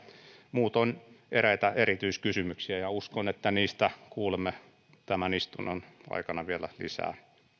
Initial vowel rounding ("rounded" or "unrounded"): rounded